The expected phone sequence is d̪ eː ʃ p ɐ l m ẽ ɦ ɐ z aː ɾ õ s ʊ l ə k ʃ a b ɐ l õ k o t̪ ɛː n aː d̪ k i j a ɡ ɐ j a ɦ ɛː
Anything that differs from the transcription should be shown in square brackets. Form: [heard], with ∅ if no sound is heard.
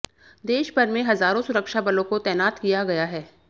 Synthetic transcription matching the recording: d̪ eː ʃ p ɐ [ɾ] m ẽ ɦ ɐ z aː ɾ õ s ʊ [ɾ] ə k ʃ a b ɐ l õ k o t̪ ɛː n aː [t̪] k i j a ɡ ɐ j a ɦ ɛː